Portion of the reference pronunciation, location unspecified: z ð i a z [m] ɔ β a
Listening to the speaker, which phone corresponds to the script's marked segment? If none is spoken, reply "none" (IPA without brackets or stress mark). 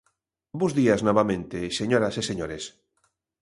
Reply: n